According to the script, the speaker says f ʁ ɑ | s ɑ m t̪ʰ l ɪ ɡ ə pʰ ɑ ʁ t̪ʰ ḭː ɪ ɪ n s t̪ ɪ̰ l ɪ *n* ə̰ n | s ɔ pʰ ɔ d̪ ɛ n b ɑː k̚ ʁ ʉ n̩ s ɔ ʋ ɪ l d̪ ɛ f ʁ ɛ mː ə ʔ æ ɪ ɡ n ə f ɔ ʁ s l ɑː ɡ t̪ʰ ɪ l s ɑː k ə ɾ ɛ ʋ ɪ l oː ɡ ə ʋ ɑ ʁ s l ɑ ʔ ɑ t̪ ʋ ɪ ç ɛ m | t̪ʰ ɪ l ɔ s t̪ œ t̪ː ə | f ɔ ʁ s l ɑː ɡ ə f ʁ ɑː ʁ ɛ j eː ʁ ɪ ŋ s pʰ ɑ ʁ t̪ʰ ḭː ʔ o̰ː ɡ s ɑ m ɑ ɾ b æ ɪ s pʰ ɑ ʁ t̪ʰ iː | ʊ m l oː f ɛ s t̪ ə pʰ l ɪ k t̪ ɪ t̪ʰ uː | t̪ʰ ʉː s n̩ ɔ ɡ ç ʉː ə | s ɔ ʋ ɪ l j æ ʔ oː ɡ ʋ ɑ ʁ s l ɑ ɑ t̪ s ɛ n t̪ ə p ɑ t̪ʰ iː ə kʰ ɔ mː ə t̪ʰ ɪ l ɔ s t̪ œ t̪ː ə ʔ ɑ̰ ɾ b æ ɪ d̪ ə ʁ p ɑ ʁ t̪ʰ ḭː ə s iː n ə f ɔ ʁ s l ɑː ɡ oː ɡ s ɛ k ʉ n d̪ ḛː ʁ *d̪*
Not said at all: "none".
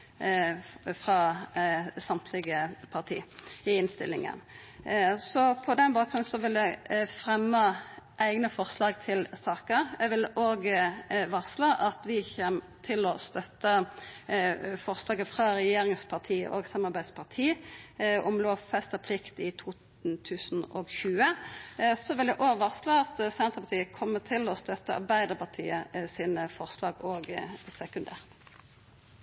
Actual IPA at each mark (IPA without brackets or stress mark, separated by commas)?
ŋ, t̪